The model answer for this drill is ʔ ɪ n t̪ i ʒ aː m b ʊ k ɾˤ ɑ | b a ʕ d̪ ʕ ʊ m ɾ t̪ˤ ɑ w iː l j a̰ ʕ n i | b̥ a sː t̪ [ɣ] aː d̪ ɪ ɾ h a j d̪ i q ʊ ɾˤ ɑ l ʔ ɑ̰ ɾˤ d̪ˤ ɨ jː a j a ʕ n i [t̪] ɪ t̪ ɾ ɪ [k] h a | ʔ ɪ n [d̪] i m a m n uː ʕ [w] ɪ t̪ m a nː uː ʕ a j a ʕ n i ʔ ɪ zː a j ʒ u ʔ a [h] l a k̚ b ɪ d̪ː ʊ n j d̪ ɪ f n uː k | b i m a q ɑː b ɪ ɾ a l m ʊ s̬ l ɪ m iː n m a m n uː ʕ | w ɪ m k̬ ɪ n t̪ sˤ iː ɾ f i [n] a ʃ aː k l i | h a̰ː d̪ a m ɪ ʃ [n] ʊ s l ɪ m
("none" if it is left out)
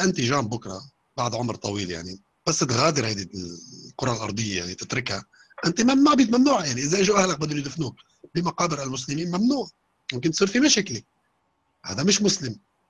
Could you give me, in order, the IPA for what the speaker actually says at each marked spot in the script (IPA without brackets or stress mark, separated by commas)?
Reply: ɣ, t̪, k, t̪, b, h, m, m